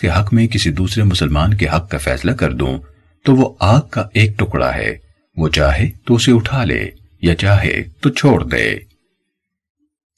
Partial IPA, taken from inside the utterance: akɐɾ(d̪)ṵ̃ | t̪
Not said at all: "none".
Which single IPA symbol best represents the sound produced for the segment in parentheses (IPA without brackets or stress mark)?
d̪